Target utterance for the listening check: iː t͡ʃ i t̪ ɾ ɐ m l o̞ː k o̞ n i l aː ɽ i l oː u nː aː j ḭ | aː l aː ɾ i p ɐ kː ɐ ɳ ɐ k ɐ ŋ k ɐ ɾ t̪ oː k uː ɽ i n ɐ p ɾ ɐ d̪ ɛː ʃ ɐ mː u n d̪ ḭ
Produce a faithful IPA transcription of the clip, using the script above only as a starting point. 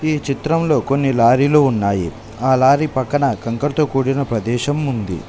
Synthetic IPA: iː t͡ʃ i t̪ ɾ ɐ m l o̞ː k o̞ nː i l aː ɾ i l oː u nː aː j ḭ | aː l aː ɾ i p ɐ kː ɐ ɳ ɐ k ɐ ŋ k ɐ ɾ t̪ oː k uː ɽ i n ɐ p ɾ ɐ d̪ ɛː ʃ ɐ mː u n d̪ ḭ